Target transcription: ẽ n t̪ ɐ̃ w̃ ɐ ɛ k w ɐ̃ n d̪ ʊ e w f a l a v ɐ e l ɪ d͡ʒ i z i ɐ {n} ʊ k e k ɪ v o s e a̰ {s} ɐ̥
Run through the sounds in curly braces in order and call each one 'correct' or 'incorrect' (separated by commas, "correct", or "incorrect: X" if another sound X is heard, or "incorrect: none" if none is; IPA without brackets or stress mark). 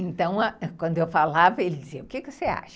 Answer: incorrect: none, incorrect: ʃ